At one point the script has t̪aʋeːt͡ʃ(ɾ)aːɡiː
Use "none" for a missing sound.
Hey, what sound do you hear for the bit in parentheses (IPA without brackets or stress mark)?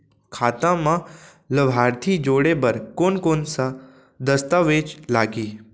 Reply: l